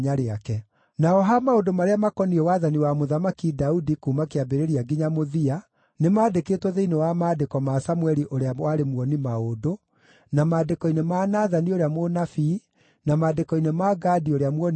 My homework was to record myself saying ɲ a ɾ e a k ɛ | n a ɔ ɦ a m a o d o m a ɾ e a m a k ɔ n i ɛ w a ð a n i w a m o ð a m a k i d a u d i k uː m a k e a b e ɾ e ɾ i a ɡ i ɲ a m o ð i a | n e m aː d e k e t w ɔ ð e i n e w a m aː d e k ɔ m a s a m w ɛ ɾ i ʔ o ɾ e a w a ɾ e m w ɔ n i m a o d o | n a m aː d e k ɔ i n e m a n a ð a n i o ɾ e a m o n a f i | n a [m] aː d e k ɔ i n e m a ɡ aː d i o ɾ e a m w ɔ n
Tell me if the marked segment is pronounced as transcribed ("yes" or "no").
yes